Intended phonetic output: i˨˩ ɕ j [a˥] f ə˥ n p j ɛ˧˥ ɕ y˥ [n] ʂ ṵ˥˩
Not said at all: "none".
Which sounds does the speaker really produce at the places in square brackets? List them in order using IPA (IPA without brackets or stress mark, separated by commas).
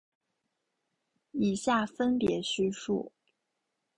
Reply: a˥˩, none